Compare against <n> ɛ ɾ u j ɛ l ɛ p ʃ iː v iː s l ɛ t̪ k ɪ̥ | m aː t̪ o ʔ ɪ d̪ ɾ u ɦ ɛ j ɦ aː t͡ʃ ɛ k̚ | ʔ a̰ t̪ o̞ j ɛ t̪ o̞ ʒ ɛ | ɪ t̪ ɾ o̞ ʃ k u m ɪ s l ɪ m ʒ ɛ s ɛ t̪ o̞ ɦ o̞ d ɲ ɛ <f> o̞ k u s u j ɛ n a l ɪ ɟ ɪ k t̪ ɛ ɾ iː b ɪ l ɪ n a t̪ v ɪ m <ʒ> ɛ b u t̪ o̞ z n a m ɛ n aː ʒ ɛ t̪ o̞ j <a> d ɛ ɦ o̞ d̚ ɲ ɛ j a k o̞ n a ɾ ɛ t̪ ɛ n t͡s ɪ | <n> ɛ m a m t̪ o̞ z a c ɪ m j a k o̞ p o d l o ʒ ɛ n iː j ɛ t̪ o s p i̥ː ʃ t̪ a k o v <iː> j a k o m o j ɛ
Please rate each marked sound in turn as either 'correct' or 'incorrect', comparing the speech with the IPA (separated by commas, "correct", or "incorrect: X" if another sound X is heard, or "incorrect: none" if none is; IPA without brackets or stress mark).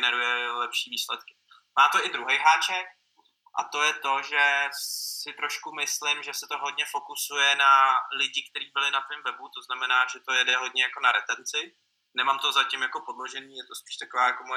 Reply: correct, correct, incorrect: v, incorrect: ɛ, correct, incorrect: aː